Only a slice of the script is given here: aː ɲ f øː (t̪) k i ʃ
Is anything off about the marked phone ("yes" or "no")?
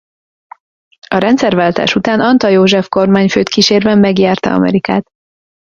no